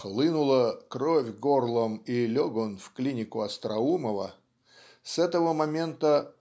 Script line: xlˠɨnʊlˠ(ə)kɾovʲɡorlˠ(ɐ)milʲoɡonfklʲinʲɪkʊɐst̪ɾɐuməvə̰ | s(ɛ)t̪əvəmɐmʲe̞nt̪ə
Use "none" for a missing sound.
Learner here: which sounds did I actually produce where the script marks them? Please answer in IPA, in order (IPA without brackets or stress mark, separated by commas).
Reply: ə, ə, ɛ